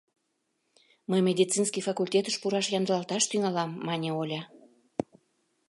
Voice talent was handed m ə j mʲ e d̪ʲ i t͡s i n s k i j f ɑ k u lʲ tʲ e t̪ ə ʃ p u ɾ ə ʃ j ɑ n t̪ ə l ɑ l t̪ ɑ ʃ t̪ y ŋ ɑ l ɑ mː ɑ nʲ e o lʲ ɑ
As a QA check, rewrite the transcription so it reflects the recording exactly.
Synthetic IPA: m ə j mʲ e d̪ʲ i t͡s i n s k i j f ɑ k u lʲ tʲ e t̪ ə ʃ p u ɾ ɑ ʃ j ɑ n d̪ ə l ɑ l t̪ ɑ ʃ t̪ y ŋ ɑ l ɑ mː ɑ nʲ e o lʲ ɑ